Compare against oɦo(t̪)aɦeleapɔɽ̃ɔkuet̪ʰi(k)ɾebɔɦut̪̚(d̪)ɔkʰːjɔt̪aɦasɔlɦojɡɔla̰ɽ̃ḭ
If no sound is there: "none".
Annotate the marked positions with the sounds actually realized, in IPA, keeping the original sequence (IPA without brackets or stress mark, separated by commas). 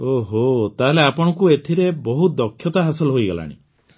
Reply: t̪, none, d̪